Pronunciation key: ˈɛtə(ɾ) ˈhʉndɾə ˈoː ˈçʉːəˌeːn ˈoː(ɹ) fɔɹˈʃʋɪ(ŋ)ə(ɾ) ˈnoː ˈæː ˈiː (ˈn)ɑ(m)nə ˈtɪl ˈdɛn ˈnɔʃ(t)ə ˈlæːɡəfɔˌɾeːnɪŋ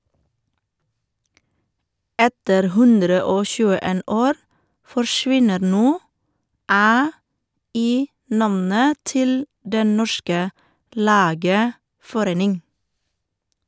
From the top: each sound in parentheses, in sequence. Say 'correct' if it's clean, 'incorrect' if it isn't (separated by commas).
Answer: correct, incorrect, incorrect, correct, correct, correct, incorrect